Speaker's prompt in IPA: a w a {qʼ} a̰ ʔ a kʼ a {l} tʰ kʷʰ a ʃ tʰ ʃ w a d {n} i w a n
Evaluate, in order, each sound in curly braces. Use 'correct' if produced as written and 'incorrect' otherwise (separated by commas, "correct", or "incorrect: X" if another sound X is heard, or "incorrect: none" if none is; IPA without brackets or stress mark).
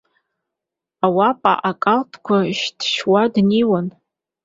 incorrect: pʼ, correct, correct